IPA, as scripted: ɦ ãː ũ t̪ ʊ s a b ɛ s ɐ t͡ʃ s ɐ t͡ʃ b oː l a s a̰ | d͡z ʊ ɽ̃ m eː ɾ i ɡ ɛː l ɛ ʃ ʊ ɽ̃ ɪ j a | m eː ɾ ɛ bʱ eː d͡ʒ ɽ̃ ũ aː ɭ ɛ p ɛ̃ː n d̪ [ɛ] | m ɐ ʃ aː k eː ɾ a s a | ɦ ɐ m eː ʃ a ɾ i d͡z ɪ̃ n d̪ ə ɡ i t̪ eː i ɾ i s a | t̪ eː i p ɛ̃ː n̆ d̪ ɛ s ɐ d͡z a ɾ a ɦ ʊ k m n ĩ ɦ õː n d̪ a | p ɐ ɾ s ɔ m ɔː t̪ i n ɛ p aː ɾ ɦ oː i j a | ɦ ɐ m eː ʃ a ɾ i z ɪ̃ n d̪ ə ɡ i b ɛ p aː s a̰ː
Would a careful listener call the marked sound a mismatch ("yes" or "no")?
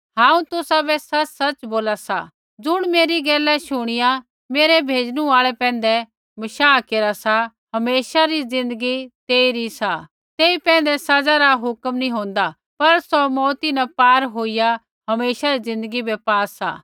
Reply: no